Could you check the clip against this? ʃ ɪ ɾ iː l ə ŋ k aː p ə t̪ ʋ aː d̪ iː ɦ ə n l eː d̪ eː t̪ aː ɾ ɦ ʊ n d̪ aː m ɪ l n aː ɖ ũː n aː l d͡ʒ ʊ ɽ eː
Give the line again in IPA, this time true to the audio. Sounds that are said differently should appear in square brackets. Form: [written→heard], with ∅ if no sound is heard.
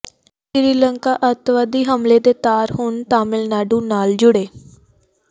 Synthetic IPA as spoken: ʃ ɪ ɾ iː l ə ŋ k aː [p→ʔ] ə t̪ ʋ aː d̪ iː ɦ ə [n→m] l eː d̪ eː t̪ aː ɾ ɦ ʊ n [d̪→t̪] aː m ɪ l n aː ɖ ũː n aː l d͡ʒ ʊ ɽ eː